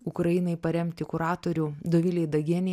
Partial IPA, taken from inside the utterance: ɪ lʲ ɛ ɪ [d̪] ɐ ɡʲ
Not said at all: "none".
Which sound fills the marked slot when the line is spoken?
d̪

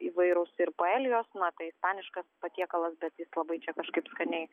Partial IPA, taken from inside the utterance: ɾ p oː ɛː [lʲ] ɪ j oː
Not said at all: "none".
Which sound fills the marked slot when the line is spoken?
lʲ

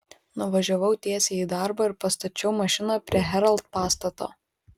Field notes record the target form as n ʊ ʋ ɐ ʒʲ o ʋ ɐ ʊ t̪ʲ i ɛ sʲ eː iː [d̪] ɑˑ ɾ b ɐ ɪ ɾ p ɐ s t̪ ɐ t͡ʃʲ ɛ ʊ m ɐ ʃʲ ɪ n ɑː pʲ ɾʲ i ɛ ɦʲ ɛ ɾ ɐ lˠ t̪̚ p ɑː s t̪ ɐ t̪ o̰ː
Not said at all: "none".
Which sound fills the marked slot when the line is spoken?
d̪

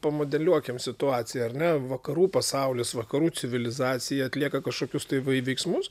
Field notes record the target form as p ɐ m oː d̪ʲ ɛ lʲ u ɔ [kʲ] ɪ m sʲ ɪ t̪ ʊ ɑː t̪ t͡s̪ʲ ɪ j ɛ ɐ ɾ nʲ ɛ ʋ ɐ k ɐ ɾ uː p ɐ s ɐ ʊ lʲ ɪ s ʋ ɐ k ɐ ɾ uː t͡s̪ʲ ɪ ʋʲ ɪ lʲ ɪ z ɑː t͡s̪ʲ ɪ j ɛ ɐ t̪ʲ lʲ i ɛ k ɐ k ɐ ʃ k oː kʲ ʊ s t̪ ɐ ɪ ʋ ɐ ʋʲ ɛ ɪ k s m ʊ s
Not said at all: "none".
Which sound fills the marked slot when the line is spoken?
kʲ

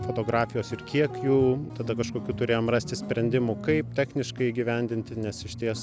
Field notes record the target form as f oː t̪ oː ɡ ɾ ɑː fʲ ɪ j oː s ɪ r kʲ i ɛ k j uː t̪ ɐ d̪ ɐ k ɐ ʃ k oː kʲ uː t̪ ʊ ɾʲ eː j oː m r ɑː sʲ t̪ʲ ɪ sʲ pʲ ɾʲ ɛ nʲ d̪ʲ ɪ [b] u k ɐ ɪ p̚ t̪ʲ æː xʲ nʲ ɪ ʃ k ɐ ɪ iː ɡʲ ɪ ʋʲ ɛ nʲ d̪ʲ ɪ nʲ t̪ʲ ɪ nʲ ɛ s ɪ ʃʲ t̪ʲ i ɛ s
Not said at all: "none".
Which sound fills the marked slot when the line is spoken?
m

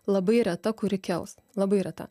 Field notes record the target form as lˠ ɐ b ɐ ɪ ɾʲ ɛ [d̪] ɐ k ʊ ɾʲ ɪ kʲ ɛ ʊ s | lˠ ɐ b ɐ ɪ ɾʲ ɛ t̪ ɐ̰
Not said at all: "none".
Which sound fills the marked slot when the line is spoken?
t̪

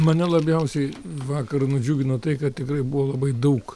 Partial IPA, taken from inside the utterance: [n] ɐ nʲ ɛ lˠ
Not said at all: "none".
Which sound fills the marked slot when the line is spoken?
m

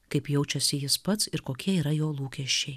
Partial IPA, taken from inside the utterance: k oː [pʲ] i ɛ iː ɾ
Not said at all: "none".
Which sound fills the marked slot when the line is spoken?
kʲ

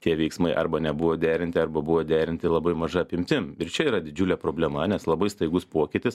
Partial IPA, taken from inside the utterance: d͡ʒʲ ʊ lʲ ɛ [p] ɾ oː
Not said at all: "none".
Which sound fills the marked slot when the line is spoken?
p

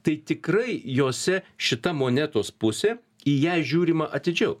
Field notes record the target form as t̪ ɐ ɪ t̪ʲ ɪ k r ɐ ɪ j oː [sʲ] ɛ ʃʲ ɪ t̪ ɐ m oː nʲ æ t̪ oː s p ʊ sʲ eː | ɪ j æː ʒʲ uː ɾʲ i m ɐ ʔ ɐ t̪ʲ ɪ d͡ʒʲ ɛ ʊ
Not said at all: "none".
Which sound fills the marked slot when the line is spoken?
sʲ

